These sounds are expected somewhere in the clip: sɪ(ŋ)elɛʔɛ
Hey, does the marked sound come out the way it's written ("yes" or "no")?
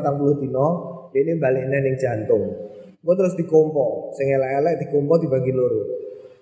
yes